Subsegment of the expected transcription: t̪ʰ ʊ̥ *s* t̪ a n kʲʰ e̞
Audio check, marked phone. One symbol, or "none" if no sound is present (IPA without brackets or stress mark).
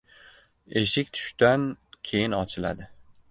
ʃ